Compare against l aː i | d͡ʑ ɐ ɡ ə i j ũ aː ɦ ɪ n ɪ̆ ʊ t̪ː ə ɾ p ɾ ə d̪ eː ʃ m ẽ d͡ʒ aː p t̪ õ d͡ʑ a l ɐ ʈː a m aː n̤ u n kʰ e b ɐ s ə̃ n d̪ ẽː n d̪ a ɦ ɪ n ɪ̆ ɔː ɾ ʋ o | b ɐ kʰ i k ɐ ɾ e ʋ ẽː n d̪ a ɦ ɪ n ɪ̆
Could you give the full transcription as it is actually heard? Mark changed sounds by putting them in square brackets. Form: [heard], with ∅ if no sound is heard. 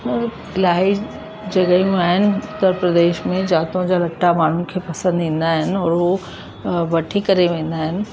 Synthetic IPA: l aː i | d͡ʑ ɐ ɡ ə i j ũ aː ɦ ɪ n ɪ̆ ʊ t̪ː ə ɾ p ɾ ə d̪ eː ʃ m ẽ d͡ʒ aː [∅] t̪ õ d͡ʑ a l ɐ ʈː a m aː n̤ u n kʰ e [p] ɐ s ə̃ n d̪ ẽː n d̪ a ɦ ɪ n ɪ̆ ɔː ɾ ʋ o | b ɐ [ʈʰ] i k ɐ ɾ e ʋ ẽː n d̪ a ɦ ɪ n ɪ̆

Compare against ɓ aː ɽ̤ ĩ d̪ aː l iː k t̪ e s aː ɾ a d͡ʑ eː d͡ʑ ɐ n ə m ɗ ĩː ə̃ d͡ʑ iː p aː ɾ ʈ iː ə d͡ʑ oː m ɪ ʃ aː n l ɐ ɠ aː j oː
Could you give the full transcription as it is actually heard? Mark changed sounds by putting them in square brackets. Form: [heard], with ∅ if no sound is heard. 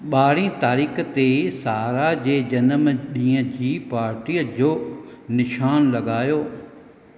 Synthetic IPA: ɓ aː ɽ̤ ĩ [t̪] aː [ɾ] iː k t̪ e s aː ɾ a d͡ʑ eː d͡ʑ ɐ n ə m ɗ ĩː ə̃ d͡ʑ iː p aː ɾ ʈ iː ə d͡ʑ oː [n] ɪ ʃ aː n l ɐ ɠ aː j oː

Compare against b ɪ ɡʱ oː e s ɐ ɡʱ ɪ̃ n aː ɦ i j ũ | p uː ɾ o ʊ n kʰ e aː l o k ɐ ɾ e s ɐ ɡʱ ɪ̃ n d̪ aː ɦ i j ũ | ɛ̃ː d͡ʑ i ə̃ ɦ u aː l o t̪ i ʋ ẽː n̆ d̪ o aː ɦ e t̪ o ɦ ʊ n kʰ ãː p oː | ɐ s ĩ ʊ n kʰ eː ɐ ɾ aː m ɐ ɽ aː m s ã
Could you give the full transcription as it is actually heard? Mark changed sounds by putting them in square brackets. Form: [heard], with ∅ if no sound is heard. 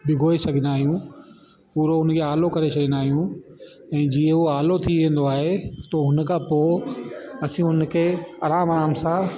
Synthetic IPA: b ɪ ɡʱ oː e s ɐ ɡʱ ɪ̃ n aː ɦ i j ũ | p uː ɾ o ʊ n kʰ e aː l o k ɐ ɾ e s ɐ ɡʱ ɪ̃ n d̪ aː ɦ i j ũ | ɛ̃ː d͡ʑ i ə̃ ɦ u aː l o [t̪ʰ] i ʋ ẽː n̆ d̪ o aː ɦ e t̪ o ɦ ʊ n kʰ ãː p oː | ɐ s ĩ ʊ n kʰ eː ɐ ɾ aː m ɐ [ɾ] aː m s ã

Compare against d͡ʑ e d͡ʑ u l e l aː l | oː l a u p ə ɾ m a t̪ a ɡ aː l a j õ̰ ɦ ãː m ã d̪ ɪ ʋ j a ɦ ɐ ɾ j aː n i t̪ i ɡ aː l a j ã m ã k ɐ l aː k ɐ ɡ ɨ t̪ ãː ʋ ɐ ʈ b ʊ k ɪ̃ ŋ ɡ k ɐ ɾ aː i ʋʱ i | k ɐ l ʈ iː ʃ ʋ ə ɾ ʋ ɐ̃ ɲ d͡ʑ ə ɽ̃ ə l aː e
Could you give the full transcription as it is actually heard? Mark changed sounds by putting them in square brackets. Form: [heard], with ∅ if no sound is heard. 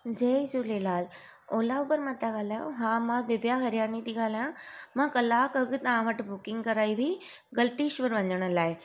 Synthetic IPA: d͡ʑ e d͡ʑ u l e l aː l | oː l a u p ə ɾ m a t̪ a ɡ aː l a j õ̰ ɦ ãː m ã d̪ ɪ ʋ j a ɦ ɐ ɾ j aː n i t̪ i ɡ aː l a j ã m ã k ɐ l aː k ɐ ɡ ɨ t̪ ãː ʋ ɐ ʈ b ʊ k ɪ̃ ŋ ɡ k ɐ ɾ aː i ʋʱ i | [ɡ] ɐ l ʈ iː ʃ ʋ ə ɾ ʋ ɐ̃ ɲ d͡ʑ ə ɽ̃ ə l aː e

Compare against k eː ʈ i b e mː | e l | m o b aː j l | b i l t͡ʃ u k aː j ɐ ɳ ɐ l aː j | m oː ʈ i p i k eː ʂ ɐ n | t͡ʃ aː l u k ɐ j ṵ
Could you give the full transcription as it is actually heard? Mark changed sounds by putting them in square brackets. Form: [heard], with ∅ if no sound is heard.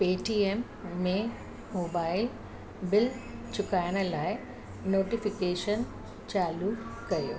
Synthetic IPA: [p] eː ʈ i [∅] e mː | e [∅] | m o b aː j l | b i l t͡ʃ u k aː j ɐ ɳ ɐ l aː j | [n] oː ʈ i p i k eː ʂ ɐ n | t͡ʃ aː l u k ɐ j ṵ

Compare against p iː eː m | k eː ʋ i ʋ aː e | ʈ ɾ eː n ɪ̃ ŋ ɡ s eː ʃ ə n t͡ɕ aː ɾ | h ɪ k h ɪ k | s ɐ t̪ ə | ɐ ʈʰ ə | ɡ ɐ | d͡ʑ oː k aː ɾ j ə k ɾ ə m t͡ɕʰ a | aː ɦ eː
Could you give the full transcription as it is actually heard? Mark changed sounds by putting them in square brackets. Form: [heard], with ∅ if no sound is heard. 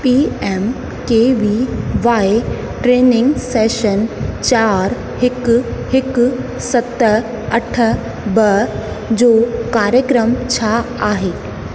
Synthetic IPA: p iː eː m | k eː ʋ i ʋ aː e | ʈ ɾ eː n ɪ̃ ŋ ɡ s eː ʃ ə n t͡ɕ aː ɾ | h ɪ k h ɪ k | s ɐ t̪ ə | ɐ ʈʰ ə | [b] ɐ | d͡ʑ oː k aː ɾ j ə k ɾ ə m t͡ɕʰ a | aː ɦ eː

